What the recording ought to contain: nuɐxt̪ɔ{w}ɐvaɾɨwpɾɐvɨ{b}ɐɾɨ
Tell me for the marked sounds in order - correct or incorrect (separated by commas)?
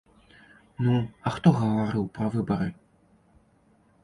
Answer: incorrect, correct